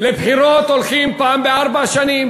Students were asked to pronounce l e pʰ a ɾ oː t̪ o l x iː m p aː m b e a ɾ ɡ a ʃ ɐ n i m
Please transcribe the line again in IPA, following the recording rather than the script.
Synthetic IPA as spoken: l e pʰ i ɾ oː t̪ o l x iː m p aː m b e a ɾ b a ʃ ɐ n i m

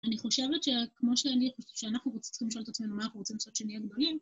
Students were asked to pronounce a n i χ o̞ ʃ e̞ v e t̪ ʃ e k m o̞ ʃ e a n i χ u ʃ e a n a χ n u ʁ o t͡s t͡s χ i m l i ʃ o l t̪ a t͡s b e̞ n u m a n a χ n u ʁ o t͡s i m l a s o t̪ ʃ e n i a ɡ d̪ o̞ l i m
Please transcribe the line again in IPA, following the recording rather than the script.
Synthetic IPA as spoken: a n i χ o̞ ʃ e̞ v e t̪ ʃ e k m o̞ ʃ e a n i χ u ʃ e a n a χ n u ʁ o t͡s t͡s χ i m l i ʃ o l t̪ a t͡s m e̞ n u m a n a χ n u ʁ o t͡s i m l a s o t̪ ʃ e n i a ɡ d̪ o̞ l i m

